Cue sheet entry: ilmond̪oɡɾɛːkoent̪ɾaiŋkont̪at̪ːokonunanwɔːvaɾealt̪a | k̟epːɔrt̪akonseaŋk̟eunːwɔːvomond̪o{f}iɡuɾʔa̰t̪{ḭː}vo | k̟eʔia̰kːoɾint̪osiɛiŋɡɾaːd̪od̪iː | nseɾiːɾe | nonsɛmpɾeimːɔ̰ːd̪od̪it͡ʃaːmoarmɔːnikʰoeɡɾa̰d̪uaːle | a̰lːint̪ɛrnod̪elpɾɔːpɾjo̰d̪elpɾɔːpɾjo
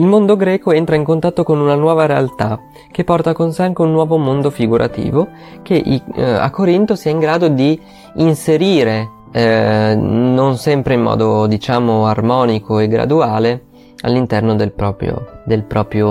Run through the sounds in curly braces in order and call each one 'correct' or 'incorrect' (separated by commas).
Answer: correct, correct